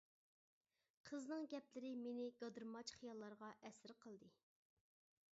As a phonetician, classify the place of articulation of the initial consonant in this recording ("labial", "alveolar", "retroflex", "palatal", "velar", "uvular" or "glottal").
uvular